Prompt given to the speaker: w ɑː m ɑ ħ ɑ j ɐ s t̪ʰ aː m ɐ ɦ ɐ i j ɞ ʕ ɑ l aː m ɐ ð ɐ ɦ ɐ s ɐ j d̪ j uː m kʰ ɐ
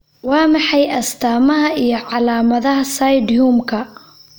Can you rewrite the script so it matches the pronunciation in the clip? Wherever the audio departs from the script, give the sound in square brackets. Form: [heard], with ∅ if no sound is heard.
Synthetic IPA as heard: w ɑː m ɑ ħ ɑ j ɐ s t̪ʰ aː m ɐ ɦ ɐ i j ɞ ʕ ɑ l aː m ɐ ð ɐ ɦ ɐ s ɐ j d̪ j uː m kʰ ɐ

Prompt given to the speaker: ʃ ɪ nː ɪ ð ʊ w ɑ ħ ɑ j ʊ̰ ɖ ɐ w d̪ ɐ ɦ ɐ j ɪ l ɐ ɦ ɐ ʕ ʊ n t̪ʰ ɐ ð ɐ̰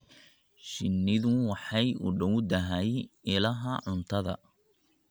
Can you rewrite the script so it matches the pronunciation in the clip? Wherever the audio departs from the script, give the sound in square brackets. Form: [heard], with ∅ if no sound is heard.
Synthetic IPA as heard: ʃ ɪ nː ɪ ð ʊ w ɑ ħ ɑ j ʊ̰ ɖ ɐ w d̪ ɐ ɦ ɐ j ɪ l ɐ ɦ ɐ ʕ ʊ n t̪ʰ ɐ ð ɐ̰

